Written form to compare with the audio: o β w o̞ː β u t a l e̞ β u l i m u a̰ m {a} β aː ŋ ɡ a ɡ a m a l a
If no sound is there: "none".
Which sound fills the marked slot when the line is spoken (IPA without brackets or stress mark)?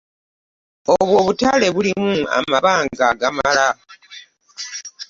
a